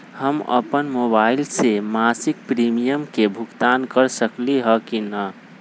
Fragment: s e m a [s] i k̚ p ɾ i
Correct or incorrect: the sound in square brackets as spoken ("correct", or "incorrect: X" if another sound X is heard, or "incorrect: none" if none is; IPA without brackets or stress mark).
correct